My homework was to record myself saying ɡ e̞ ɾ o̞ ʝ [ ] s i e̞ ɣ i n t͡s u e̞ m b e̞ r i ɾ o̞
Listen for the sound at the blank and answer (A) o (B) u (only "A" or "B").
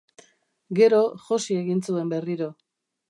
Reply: A